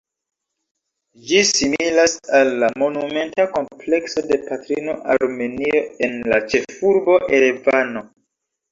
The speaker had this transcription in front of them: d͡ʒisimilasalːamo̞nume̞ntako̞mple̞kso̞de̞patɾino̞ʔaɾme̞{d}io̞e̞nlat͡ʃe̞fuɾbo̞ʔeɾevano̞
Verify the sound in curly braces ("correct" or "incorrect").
incorrect